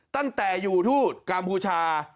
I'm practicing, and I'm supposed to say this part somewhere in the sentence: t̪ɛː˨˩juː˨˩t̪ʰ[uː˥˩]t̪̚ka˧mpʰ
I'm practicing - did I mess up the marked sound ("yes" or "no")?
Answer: no